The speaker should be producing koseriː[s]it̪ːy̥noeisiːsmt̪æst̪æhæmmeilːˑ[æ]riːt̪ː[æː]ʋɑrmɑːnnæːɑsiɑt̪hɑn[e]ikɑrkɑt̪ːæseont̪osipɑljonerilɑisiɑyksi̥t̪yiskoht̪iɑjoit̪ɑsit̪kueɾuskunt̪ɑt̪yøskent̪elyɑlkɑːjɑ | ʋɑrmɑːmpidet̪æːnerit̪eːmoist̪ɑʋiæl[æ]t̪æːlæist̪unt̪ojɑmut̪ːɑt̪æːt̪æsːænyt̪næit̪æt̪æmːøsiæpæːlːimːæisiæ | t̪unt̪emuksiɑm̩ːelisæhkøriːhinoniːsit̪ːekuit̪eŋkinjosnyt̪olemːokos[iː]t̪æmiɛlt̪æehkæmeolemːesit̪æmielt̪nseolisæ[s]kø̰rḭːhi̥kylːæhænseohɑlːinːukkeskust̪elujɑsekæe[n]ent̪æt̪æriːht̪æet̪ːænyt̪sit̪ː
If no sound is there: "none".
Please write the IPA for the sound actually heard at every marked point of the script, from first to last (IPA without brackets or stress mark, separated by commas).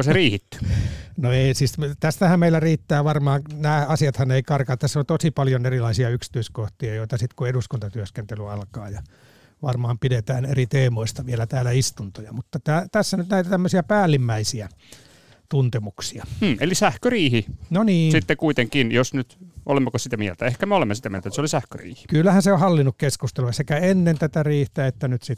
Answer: h, æ, æː, e, æ, i, h, nː